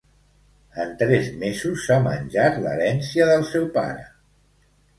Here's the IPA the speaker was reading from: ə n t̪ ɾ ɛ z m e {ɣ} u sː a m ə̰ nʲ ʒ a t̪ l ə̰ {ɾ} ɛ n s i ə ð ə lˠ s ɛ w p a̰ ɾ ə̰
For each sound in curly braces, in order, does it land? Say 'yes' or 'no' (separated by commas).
no, yes